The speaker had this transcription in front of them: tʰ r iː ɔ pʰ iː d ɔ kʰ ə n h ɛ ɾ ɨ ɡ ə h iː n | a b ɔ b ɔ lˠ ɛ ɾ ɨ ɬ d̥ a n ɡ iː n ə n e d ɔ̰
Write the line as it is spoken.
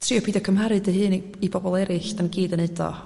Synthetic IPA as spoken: tʰ r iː ɔ pʰ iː d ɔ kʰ ə m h a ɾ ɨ d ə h ɨː n | i b ɔ b ɔ lˠ ɛ ɾ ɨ ɬ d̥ a n ɡ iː d ə n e d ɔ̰